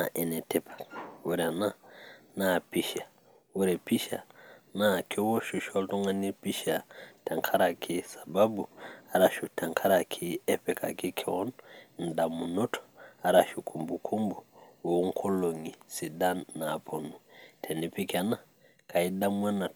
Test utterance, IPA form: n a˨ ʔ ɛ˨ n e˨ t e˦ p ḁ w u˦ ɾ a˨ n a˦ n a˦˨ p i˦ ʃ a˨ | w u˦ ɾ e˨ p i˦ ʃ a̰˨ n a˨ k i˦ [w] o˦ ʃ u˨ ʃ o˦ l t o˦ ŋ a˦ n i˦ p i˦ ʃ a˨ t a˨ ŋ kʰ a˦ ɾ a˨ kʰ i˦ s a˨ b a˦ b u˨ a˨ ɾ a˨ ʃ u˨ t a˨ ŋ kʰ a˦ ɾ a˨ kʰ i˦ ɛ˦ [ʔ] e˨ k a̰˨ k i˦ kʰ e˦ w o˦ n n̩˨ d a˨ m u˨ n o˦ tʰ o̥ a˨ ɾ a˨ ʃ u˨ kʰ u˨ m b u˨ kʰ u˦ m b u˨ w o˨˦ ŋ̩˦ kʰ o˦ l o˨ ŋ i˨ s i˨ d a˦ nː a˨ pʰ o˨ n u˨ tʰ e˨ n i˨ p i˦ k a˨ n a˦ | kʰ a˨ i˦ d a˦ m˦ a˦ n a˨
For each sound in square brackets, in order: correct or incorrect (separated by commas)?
correct, incorrect